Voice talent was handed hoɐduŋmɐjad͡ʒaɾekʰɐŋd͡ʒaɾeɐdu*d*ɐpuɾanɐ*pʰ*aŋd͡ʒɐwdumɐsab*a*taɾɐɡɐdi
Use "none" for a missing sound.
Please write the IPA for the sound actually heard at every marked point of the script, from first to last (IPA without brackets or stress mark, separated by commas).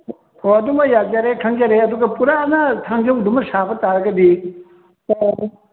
ɡ, tʰ, ɐ